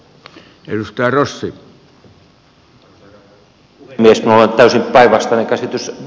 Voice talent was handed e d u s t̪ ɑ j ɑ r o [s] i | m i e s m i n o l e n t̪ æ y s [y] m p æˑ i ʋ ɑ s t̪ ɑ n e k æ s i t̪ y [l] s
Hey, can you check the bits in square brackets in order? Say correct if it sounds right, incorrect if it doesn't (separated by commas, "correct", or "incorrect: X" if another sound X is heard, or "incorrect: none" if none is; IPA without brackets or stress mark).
incorrect: sː, incorrect: i, incorrect: none